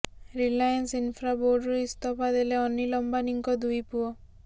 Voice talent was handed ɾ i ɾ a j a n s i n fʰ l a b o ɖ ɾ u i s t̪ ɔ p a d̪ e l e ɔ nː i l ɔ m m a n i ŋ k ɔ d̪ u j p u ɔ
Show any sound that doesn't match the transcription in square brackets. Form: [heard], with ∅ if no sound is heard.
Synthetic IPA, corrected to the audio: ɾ i [l] a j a n s i n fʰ [ɾ] a b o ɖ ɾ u i s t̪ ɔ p a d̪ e l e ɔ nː i l ɔ m [b] a n i ŋ k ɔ d̪ u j p u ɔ